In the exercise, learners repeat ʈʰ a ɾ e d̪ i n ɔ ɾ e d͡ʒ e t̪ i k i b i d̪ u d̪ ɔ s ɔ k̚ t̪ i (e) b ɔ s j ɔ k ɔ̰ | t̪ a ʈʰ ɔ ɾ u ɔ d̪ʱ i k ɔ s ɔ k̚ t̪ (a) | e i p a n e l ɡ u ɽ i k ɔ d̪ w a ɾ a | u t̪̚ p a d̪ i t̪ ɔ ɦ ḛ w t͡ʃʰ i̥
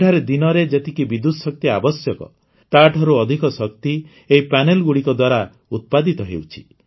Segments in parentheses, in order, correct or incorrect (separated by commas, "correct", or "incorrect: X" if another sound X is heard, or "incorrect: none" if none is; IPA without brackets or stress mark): incorrect: a, incorrect: i